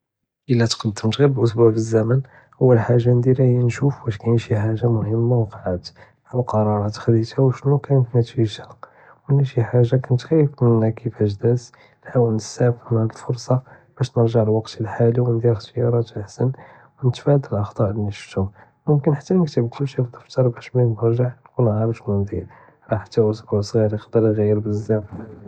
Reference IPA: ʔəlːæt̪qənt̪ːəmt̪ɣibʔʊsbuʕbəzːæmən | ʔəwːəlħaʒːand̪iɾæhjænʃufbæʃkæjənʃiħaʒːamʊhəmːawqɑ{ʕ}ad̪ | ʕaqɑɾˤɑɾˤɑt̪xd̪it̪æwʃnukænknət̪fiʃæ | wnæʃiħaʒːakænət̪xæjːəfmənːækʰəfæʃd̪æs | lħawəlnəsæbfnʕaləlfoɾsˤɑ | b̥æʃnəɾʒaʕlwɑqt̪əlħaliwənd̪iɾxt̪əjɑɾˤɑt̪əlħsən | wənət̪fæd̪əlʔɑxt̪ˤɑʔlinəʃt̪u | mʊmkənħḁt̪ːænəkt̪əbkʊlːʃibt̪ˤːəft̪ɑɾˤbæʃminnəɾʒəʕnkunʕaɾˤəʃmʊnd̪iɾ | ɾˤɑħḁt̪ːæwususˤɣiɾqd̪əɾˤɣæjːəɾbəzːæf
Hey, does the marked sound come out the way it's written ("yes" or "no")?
yes